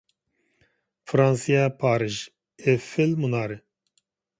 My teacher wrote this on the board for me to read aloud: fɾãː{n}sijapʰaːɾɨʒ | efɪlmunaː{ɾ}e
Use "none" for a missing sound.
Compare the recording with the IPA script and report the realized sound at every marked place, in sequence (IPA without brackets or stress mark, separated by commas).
n, ɾ